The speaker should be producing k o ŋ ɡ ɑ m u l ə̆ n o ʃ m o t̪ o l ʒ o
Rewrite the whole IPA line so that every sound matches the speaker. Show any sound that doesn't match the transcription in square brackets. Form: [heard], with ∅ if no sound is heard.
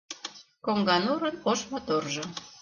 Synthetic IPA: k o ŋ ɡ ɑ [n] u [ɾ] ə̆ n o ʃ m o t̪ o [r] ʒ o